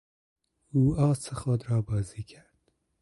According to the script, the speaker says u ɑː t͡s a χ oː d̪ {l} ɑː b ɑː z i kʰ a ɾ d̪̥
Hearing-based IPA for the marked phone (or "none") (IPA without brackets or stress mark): ɾ